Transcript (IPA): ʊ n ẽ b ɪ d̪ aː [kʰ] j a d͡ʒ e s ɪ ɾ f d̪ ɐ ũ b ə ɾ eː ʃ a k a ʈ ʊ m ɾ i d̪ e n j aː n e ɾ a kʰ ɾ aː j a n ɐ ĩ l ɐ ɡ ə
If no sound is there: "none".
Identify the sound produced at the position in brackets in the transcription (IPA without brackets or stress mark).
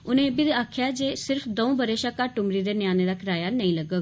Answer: kʰ